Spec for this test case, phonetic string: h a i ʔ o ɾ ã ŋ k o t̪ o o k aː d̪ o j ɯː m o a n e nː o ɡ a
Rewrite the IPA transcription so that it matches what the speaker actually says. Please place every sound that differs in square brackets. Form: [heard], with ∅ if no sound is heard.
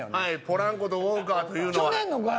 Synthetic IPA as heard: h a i [p] o ɾ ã ŋ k o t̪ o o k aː [t̪] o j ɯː [n] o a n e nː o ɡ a